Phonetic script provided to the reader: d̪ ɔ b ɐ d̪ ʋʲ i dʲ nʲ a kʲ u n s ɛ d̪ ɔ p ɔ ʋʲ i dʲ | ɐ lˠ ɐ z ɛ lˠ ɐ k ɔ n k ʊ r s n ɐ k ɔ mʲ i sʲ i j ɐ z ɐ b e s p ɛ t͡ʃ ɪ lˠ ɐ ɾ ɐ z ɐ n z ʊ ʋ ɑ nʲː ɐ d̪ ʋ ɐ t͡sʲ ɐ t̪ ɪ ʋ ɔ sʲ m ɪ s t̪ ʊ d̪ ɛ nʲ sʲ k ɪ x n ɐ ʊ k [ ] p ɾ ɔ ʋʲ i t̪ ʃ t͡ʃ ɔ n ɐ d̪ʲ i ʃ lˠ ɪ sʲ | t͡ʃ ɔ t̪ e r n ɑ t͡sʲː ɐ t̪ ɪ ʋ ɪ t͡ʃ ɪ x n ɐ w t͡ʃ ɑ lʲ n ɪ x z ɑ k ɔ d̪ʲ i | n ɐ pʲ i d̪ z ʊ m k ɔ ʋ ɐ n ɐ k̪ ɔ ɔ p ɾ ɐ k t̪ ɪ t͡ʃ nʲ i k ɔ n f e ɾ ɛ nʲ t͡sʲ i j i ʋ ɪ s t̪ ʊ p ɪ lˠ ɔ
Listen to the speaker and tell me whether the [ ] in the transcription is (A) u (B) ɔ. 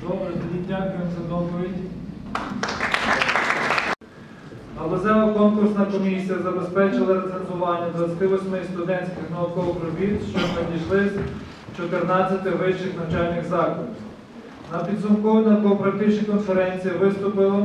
B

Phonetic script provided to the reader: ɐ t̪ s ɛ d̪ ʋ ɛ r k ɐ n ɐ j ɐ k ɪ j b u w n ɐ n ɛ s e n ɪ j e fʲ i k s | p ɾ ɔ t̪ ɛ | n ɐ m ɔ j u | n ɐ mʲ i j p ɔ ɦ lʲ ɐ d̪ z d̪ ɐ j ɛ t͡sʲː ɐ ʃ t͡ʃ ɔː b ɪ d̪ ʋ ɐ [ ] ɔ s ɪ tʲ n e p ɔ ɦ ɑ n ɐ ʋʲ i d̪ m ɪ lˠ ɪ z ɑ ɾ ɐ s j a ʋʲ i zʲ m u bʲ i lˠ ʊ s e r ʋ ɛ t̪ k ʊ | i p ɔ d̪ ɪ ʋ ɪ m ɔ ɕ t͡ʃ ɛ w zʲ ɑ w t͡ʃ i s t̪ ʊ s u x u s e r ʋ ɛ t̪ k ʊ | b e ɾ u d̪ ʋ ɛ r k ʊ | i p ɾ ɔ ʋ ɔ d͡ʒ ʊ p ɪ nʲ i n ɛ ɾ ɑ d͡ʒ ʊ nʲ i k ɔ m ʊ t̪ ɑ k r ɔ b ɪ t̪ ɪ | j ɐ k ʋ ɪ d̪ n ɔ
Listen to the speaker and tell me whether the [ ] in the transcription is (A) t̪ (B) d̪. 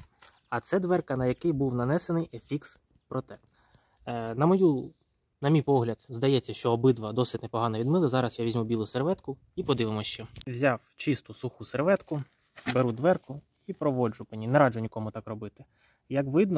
B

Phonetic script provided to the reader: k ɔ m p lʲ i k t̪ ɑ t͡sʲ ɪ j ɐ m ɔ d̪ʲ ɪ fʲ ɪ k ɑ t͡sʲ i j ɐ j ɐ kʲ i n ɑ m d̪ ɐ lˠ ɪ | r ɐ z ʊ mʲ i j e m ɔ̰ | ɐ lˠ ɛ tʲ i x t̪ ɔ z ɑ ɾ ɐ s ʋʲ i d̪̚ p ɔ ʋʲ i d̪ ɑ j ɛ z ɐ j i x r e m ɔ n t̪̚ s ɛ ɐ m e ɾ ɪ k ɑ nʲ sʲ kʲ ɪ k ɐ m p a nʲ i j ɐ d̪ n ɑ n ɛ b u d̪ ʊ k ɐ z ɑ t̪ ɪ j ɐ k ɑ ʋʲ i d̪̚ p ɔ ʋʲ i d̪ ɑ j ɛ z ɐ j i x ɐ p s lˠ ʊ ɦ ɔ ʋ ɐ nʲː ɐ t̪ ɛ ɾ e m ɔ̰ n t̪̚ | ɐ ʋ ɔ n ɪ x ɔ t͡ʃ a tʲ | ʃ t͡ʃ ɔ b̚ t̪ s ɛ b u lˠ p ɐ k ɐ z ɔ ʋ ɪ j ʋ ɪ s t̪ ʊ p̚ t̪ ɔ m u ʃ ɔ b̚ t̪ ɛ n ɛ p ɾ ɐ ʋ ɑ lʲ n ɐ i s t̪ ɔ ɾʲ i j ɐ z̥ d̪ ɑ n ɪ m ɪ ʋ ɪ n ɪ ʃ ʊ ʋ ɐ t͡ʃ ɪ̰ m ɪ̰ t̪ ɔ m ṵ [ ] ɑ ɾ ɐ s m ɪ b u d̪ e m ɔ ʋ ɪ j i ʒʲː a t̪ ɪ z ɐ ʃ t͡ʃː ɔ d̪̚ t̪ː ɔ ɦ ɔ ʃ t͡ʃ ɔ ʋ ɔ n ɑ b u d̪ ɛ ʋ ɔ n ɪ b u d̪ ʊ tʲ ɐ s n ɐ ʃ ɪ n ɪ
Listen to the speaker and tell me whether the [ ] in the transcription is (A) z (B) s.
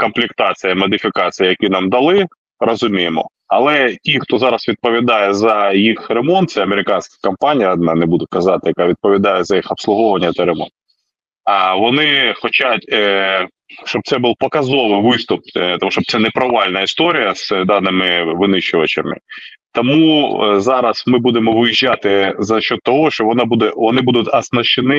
A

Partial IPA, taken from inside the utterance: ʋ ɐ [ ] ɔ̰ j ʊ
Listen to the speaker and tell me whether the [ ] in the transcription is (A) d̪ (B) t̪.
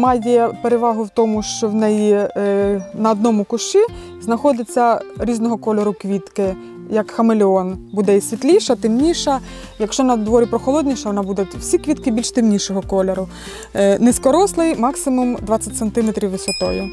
B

